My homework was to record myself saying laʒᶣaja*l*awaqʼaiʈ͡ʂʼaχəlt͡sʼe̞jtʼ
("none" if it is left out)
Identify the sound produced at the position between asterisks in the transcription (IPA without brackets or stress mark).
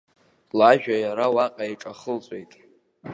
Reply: ɾ